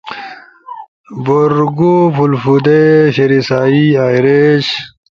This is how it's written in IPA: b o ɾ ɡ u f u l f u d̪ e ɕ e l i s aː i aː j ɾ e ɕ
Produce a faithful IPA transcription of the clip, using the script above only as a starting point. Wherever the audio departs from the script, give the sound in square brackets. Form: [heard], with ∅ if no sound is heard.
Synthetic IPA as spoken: b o ɾ ɡ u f u l f u d̪ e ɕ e [ɾ] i s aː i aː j ɾ e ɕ

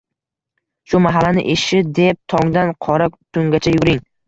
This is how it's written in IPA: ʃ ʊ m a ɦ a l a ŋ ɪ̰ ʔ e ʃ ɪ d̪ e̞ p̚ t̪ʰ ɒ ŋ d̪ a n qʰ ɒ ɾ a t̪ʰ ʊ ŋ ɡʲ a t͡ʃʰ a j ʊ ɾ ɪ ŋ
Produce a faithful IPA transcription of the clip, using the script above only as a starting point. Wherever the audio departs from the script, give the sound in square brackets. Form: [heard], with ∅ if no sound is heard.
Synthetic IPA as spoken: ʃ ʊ m a ɦ a l a [n] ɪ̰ ʔ e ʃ ɪ d̪ e̞ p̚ t̪ʰ ɒ ŋ d̪ a n qʰ ɒ ɾ a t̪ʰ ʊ ŋ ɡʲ a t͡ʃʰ a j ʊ ɾ ɪ ŋ

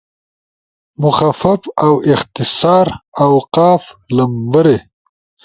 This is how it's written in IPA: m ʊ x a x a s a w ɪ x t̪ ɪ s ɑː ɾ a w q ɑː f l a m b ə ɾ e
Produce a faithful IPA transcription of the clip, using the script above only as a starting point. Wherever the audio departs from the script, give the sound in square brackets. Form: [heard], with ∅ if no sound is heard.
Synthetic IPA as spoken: m ʊ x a [f] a [f] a w ɪ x t̪ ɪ s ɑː ɾ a w q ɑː f l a m b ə ɾ e

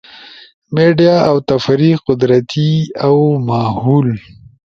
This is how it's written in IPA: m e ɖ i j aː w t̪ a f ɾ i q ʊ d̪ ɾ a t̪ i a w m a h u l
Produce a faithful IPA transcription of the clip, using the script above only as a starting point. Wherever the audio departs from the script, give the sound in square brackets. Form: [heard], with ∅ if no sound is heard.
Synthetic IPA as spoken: m e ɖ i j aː w t̪ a f ɾ i q ʊ d̪ ɾ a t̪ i a w m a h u l

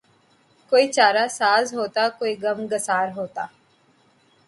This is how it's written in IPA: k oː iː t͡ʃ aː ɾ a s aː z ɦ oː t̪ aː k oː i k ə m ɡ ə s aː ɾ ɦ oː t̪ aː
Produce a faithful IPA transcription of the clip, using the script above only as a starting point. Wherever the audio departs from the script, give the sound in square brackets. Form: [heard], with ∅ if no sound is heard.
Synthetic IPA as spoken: k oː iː t͡ʃ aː ɾ a s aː z ɦ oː t̪ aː k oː i [ɡ] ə m ɡ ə s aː ɾ ɦ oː t̪ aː

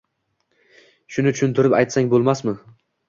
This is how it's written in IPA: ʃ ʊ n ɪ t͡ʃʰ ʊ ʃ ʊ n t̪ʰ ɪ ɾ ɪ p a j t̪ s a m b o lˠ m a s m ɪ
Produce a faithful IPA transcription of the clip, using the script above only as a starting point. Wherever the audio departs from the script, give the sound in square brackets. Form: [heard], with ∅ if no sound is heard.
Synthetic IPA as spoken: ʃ ʊ n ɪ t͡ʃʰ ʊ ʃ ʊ n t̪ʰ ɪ ɾ ɪ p a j t̪ s a [ŋ] b o lˠ m a s m ɪ

